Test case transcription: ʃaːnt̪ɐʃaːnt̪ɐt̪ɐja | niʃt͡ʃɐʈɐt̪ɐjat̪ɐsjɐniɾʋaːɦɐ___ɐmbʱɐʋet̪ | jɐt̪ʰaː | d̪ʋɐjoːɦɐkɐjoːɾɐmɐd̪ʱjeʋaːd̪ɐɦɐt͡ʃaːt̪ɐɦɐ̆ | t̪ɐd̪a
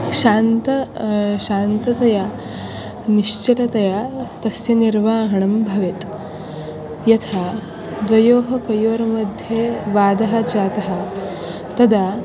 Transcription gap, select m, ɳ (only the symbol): ɳ